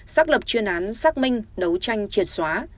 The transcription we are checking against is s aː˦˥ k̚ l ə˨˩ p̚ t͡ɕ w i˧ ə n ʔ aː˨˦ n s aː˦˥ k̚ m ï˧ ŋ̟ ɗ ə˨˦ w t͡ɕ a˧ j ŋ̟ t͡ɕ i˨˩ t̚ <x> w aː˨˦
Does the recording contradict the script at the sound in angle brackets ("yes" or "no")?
yes